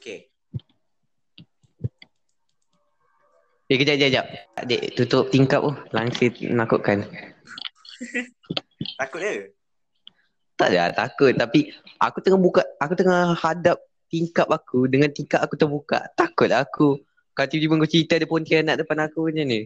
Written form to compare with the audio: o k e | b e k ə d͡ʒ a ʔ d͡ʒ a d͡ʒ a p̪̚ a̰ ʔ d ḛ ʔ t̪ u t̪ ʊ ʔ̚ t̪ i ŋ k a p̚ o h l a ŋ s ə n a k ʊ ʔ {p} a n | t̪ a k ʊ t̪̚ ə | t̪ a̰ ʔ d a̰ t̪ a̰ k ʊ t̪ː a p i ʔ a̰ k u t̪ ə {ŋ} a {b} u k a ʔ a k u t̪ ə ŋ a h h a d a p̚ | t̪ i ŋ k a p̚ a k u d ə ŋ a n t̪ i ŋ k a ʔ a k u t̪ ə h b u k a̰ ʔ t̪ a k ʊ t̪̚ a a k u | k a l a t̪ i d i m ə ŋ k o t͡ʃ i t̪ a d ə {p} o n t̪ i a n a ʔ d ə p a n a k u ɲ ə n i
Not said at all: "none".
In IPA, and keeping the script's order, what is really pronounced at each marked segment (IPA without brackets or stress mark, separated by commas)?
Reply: k, ŋ, b, p